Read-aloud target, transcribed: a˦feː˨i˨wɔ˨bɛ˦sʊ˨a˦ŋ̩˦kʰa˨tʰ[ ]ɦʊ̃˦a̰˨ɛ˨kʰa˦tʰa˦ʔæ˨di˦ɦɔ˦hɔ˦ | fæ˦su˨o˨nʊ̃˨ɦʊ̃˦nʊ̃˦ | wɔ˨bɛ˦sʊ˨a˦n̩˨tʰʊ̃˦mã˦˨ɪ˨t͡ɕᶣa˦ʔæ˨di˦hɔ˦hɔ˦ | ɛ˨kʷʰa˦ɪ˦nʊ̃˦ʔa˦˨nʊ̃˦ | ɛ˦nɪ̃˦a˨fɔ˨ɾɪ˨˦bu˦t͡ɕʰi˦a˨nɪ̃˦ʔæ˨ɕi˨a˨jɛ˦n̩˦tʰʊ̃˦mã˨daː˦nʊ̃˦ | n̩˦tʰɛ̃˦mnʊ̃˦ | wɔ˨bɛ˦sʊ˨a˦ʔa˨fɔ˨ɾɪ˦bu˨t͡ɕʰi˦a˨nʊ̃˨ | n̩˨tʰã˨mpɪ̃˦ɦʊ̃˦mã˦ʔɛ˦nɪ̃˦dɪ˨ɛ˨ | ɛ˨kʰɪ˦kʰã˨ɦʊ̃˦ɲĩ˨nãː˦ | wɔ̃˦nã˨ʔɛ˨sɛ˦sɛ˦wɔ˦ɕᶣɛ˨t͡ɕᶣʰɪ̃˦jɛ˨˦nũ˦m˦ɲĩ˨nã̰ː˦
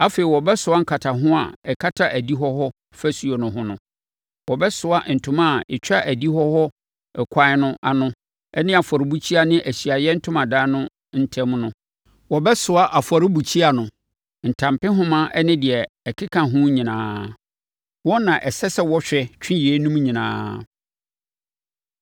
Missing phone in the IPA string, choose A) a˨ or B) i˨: A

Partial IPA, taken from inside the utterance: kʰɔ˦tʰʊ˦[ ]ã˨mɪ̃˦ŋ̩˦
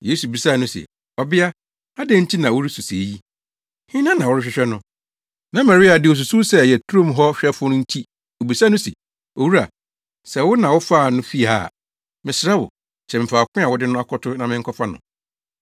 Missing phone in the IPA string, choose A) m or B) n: B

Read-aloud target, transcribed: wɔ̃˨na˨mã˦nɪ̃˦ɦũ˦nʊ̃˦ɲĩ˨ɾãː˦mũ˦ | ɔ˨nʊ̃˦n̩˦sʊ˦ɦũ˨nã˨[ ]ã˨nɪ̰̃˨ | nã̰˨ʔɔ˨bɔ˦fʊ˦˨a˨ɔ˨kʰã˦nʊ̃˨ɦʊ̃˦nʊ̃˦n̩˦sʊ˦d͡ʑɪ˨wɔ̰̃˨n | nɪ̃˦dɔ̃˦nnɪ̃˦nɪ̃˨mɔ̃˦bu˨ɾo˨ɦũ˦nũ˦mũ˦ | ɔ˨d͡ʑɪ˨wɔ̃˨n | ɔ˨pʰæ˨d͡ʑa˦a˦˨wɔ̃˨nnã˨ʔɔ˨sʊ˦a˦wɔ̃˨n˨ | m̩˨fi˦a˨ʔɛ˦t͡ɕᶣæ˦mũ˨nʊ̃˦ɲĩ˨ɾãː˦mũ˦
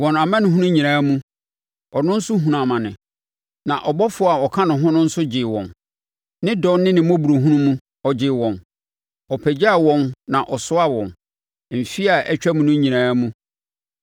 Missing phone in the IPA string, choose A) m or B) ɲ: A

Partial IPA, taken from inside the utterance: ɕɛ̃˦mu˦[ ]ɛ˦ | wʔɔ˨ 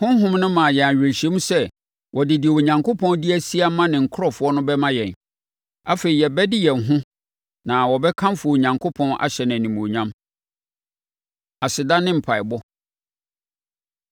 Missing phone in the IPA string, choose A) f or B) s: B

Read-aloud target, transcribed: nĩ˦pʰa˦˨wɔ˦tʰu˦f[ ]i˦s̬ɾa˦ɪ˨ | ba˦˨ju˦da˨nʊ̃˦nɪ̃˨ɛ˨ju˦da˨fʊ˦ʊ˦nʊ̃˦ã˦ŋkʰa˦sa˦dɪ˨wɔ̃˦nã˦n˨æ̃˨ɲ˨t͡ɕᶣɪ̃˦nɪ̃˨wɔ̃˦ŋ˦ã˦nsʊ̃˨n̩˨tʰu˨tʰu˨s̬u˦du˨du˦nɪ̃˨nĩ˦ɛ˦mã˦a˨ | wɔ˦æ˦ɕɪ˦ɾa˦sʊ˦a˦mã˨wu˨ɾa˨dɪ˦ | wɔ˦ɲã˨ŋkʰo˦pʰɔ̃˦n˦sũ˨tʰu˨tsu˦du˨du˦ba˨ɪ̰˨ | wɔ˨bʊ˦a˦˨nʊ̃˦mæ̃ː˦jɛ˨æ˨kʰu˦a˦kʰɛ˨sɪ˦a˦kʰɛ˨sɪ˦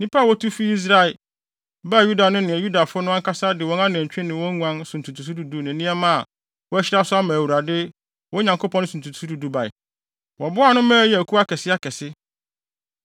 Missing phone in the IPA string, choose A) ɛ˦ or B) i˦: B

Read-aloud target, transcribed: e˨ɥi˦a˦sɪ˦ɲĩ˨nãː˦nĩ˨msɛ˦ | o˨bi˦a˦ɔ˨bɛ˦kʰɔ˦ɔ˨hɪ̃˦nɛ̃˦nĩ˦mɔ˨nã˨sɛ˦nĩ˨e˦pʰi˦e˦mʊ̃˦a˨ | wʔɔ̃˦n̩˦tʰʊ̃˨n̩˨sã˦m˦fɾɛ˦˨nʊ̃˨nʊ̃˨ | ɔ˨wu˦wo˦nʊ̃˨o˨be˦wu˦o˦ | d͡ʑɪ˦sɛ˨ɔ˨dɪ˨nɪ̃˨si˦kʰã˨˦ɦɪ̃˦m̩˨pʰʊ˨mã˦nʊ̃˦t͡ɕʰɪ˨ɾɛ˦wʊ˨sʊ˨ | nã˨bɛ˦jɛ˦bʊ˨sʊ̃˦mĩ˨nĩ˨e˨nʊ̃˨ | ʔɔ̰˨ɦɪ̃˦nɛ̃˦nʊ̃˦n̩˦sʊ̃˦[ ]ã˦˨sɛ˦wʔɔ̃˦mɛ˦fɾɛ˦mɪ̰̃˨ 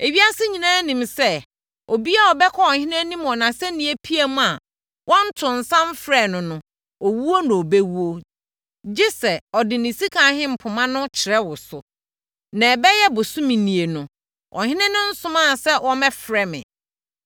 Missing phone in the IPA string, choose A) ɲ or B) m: B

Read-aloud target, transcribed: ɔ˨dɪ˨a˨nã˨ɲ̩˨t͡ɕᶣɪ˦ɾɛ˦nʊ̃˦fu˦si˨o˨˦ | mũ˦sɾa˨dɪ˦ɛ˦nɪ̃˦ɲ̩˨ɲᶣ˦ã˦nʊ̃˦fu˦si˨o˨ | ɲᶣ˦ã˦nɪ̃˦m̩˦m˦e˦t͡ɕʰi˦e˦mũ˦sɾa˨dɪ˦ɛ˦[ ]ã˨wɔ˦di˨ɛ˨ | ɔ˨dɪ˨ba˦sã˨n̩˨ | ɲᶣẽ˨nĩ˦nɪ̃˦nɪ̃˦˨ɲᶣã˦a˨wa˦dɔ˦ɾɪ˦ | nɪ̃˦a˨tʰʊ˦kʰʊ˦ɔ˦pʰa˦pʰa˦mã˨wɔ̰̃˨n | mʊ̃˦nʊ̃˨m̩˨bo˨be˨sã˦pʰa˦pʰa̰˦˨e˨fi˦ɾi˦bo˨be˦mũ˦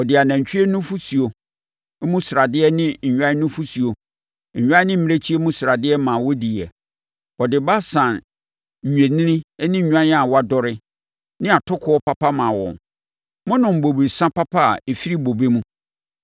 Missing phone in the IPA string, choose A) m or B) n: A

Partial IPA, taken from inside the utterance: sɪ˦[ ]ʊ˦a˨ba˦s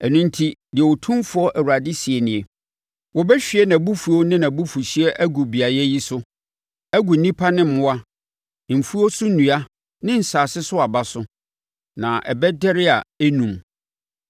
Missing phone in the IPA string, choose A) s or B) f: A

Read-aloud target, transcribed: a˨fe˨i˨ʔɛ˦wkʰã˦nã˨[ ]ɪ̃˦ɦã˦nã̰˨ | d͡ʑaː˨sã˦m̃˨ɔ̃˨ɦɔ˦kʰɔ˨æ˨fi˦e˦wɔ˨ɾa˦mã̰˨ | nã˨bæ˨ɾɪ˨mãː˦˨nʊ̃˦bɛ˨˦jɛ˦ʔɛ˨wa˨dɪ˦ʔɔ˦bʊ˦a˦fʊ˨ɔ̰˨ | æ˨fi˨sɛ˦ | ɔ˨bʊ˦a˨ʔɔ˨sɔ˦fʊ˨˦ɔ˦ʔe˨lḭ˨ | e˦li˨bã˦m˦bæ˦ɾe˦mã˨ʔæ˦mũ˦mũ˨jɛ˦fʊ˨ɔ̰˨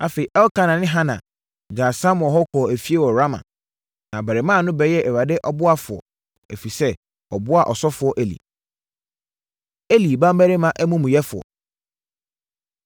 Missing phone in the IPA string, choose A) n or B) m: A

